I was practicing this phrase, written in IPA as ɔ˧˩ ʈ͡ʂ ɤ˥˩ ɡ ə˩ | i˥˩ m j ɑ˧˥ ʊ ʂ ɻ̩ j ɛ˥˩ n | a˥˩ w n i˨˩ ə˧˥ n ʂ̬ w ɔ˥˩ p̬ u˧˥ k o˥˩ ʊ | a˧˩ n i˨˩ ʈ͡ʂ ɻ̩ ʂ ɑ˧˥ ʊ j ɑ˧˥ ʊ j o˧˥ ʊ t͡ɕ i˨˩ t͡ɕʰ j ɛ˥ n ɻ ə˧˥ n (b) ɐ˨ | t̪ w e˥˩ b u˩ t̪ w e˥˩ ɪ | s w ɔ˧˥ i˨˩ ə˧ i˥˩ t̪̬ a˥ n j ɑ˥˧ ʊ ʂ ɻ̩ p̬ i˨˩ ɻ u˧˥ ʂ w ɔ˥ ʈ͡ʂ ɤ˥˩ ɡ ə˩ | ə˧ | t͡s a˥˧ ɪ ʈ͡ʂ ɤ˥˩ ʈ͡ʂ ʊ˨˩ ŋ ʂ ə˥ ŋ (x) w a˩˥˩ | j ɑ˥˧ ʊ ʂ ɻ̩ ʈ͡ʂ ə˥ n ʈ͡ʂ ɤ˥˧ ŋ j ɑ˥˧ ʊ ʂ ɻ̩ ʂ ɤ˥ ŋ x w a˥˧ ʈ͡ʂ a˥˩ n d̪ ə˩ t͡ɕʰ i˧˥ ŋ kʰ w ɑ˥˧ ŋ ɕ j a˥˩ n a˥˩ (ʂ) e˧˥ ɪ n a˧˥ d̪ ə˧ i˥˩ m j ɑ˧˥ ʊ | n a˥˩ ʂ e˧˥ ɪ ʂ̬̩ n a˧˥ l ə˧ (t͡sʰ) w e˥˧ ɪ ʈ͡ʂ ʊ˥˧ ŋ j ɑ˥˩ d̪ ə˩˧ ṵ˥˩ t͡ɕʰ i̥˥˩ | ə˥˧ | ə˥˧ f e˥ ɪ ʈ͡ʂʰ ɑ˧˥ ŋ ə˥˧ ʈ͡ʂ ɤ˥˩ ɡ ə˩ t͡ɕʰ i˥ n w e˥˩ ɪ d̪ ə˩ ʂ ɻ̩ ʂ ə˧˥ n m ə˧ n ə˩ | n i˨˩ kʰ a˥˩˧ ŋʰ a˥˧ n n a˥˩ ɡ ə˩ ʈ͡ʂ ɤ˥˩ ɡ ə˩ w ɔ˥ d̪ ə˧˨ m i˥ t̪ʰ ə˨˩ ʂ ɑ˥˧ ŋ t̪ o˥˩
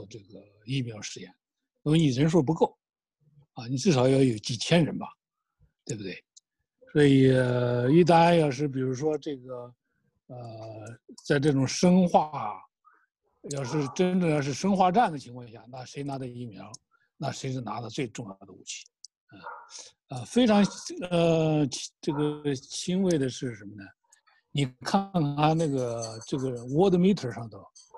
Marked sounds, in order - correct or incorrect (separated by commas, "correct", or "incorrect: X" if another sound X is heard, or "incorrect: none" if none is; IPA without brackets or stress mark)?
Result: correct, correct, correct, incorrect: t͡s